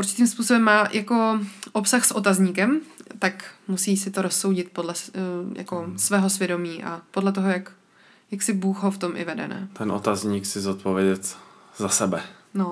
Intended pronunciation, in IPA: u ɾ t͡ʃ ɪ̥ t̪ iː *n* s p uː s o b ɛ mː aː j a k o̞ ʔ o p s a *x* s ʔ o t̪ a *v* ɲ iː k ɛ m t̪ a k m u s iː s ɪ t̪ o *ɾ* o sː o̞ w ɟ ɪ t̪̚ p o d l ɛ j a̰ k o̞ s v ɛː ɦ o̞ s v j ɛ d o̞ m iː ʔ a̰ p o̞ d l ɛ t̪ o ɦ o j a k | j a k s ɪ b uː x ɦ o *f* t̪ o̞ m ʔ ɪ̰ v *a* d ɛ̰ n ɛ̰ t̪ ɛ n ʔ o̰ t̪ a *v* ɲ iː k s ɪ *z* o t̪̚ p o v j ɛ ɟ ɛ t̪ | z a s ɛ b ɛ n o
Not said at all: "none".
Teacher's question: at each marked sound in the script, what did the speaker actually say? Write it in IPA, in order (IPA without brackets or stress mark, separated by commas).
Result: m, x, z, ɾ, f, ɛ, z, z